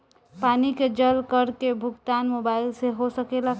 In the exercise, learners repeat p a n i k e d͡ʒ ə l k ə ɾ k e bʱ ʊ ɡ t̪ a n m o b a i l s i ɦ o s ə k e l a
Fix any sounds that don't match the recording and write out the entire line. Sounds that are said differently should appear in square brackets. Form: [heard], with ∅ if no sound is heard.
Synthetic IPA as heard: p a n i k e d͡ʒ ə l k ə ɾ k e bʱ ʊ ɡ t̪ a n m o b a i l s [e] ɦ o s ə k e l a